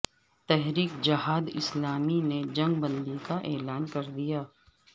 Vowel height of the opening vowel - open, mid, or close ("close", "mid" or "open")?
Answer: mid